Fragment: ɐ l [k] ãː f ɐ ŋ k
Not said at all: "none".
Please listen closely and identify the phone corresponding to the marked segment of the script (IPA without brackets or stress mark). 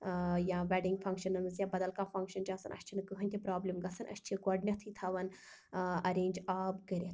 k